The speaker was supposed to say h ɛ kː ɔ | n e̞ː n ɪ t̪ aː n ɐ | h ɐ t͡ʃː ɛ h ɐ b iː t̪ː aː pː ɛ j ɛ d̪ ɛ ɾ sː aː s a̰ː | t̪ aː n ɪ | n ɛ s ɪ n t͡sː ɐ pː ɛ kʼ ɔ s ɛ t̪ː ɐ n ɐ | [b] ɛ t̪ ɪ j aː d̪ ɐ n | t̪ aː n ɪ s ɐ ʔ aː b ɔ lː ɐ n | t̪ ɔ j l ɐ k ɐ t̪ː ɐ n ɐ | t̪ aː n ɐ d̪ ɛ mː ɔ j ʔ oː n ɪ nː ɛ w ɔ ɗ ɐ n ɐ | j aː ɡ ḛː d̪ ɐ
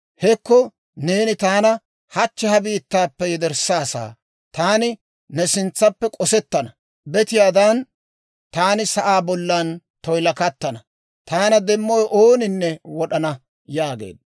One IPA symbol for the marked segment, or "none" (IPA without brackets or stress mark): b